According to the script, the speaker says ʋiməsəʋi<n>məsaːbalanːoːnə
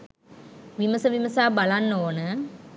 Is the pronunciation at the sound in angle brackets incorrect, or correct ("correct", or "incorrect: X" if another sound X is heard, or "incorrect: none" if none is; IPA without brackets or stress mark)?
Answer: incorrect: none